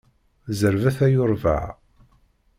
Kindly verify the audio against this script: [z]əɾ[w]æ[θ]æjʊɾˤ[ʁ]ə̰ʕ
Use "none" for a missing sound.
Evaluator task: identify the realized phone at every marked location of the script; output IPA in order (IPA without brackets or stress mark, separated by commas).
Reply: z, v, θ, v